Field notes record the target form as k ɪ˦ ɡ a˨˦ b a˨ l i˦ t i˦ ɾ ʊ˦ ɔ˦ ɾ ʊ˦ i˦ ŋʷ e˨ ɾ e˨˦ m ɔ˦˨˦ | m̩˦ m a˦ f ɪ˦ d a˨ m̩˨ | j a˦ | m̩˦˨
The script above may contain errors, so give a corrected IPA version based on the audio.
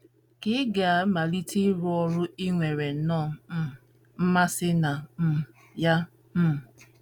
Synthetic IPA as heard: k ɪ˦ ɡ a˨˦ m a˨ l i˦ t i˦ ɾ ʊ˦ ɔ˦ ɾ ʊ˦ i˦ ŋʷ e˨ ɾ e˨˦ n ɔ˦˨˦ | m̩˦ m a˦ s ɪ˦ n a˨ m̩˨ | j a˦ | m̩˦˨

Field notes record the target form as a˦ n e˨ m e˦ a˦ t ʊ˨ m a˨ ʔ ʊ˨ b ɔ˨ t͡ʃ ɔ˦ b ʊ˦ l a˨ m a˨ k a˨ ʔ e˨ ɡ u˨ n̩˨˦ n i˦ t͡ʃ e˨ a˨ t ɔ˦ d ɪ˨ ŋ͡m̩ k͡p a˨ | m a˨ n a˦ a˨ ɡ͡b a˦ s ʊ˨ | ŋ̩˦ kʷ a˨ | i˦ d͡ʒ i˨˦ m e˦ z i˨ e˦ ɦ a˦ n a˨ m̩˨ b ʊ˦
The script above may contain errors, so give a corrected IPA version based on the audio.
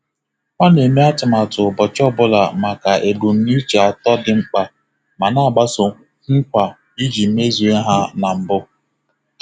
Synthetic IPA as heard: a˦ n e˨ m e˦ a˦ t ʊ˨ m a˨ t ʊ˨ b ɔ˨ t͡ʃ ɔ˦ b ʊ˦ l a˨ m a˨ k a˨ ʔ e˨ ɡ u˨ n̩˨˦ n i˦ t͡ʃ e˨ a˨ t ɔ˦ d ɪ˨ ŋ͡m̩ k͡p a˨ | m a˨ n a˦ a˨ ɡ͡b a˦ s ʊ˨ | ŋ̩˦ kʷ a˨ | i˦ d͡ʒ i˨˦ m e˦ z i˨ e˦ ɦ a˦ n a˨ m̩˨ b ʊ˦

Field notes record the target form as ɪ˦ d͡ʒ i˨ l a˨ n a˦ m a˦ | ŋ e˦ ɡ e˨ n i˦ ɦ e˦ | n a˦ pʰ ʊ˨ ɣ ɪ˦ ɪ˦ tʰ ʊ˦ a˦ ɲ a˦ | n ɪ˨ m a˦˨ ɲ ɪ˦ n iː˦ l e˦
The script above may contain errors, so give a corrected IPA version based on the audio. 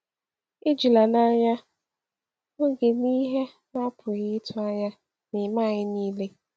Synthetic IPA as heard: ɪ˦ d͡ʒ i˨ l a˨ n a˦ ɲ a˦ | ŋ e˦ ɡ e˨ n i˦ ɦ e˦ | n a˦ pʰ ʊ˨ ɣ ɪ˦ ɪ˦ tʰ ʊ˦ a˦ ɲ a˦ | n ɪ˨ m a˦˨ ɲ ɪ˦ n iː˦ l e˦

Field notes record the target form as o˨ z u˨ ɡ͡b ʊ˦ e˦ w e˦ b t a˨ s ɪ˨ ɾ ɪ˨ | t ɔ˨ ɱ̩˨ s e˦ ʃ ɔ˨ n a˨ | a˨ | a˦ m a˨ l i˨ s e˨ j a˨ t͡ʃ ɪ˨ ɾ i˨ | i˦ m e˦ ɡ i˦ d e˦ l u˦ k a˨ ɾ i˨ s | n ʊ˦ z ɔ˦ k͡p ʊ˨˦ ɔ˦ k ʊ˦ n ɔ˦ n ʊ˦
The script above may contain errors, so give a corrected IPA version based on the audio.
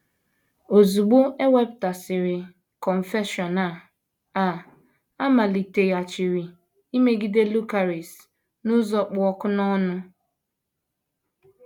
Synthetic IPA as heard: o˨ z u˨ ɡ͡b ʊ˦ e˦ w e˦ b t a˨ s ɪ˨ ɾ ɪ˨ | k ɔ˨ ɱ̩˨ f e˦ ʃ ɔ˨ n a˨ | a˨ | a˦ m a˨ l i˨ t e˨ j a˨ t͡ʃ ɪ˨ ɾ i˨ | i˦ m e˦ ɡ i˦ d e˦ l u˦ k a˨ ɾ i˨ s | n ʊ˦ z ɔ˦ k͡p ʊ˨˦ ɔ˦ k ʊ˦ n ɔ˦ n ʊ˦

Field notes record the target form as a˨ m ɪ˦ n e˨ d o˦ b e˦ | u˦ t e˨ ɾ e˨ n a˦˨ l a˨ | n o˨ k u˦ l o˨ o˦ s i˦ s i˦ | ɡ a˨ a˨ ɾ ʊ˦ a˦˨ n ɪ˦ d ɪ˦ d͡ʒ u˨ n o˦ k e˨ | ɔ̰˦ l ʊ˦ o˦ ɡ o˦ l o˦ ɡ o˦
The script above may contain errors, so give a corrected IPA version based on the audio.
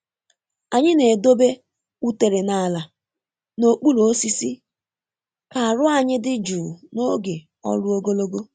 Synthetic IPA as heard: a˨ ɲ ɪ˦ n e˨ d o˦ b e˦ | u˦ t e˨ ɾ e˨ n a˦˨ l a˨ | n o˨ k͡p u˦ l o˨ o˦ s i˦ s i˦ | k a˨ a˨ ɾ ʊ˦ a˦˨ ɲ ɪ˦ d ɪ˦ d͡ʒ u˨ n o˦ ɡ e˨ | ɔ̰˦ l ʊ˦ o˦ ɡ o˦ l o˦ ɡ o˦

